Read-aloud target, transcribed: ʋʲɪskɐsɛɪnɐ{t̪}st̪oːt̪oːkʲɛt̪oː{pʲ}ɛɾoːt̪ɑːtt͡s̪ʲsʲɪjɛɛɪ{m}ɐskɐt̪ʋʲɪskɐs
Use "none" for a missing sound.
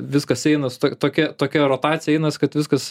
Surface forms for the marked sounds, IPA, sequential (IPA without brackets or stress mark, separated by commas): none, kʲ, n